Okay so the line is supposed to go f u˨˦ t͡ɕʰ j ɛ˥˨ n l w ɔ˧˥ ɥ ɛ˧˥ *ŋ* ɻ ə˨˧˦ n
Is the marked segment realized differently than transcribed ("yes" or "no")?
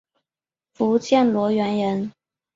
yes